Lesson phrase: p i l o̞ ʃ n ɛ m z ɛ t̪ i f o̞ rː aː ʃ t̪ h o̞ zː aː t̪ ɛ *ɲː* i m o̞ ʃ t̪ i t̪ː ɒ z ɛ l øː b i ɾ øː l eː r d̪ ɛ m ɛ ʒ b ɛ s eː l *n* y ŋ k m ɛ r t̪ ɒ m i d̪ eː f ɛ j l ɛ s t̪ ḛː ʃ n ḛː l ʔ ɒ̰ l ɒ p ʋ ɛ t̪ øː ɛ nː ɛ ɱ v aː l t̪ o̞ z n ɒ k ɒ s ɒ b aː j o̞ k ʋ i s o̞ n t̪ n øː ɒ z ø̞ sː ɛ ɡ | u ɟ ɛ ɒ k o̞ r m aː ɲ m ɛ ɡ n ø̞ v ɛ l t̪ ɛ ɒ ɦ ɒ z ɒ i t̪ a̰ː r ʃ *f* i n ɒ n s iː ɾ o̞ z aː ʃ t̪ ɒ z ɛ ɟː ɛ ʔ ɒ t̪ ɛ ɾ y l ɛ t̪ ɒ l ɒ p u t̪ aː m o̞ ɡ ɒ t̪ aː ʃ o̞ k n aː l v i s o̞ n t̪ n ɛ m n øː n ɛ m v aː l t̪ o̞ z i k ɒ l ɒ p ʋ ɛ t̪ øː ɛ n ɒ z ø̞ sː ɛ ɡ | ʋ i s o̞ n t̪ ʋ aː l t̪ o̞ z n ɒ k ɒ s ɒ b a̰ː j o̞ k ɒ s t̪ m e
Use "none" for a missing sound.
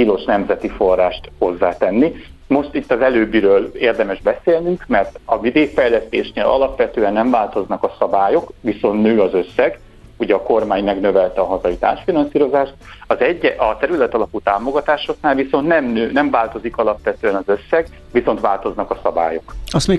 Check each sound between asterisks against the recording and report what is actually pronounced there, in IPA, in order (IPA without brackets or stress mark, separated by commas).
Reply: nː, n, f